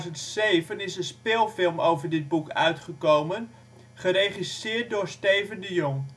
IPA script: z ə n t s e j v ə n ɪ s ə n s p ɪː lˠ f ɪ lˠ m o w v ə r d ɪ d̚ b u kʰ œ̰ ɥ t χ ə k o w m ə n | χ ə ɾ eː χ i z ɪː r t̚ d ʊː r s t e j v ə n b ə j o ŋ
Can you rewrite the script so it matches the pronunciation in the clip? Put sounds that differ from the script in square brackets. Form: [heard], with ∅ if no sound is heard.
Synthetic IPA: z ə n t s e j v ə n ɪ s ə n s p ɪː lˠ f ɪ lˠ m o w v ə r d ɪ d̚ b u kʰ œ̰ ɥ t χ ə k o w m ə n | χ ə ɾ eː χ i [s] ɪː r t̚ d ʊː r s t e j v ə n [d] ə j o ŋ